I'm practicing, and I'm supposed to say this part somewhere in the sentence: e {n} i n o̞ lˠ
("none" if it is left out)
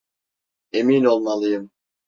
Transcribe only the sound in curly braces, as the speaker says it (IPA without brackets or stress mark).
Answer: m